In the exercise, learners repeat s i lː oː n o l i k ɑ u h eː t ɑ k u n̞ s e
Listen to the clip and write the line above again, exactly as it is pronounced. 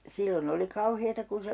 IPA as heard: s i lː o n o l i k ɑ u h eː t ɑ k u n̞ s e